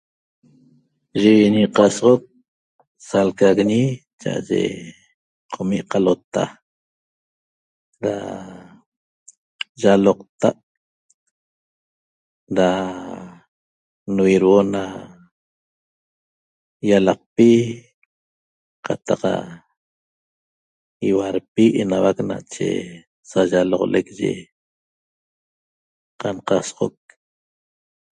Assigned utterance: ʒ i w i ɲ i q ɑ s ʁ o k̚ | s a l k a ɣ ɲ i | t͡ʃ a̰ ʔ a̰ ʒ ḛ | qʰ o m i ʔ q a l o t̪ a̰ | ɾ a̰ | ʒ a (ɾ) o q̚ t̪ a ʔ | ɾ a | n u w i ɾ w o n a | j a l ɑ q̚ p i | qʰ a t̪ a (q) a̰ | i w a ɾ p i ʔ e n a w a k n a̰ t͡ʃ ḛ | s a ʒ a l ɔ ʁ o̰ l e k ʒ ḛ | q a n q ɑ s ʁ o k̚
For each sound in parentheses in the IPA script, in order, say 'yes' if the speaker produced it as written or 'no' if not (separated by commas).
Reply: no, yes